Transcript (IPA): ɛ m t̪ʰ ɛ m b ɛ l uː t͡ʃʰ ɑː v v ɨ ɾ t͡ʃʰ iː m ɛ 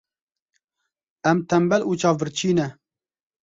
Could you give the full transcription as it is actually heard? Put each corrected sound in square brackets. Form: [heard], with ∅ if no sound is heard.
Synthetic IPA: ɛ m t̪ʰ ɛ m b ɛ l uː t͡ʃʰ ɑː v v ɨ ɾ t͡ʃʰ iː [n] ɛ